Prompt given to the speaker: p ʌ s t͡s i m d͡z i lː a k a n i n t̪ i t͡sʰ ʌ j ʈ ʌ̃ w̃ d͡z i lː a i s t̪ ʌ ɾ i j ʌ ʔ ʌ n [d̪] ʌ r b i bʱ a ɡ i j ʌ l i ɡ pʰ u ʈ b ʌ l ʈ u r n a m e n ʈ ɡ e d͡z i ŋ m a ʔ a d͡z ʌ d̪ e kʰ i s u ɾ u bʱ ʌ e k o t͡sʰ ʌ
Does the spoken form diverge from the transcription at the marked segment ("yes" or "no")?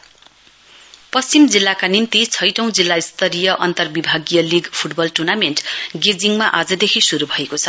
yes